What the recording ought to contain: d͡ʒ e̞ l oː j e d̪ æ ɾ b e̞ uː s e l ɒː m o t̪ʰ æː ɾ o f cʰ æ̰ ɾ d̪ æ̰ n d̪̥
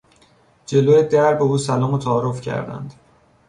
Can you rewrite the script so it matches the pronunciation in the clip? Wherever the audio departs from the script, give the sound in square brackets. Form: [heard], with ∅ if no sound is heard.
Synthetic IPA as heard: d͡ʒ e̞ l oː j e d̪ æ ɾ b e̞ uː s [æ] l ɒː m o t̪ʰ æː ɾ o f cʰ æ̰ ɾ d̪ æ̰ n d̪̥